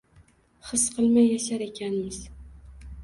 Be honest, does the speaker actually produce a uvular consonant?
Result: yes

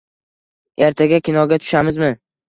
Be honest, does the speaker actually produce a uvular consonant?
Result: no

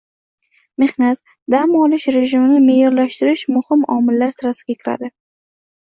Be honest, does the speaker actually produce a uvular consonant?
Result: no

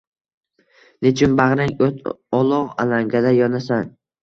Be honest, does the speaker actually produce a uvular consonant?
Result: yes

